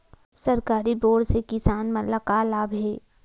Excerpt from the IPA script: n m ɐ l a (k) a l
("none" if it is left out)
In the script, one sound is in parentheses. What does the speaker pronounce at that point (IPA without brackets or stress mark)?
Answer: k